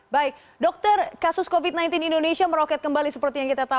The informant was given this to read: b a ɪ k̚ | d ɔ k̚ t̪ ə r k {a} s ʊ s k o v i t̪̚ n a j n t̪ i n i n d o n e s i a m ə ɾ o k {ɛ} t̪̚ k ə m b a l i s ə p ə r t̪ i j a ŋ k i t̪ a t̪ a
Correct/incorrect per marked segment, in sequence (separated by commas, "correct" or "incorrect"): correct, correct